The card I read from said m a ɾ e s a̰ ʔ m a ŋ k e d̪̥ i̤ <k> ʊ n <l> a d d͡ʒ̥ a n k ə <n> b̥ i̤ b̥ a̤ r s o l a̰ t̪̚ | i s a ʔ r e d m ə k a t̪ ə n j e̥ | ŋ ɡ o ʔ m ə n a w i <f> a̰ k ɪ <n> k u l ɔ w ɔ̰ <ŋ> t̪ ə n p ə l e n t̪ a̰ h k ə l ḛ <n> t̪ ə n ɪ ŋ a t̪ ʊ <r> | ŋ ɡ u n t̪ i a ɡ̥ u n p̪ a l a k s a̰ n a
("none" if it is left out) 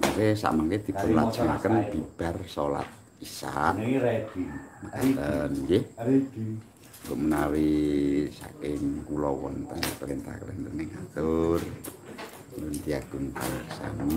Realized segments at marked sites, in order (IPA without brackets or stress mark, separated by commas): p, l, n, s, ŋ, n, n, r